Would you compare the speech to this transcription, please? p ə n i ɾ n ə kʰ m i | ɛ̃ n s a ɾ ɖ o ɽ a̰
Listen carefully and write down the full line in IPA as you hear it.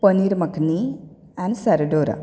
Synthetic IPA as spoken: p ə n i ɾ m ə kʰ n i | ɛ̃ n s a ɾ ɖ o ɾ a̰